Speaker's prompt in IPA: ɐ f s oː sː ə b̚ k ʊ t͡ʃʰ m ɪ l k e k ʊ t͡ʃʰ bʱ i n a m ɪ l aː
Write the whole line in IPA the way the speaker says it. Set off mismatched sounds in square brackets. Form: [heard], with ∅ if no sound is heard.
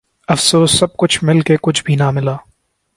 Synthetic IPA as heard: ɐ f s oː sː [ɐ] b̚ k ʊ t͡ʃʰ m ɪ l k e k ʊ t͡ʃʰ bʱ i n a m ɪ l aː